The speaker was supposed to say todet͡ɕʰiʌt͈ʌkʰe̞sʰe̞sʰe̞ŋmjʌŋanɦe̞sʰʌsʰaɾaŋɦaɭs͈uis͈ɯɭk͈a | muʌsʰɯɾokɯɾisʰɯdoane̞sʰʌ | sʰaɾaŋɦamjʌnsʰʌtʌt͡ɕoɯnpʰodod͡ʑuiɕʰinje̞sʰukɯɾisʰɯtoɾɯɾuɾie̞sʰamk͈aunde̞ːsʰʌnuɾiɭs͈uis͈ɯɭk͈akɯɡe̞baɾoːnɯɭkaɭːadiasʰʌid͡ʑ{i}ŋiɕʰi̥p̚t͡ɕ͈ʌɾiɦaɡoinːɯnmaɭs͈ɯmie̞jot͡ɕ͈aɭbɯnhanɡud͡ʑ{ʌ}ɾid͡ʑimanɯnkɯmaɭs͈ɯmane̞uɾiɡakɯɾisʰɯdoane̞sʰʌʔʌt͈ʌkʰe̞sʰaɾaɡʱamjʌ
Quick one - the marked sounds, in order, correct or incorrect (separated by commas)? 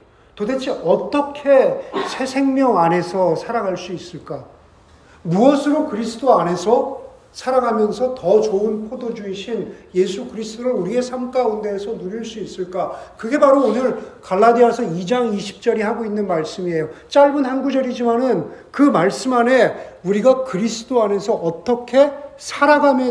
incorrect, correct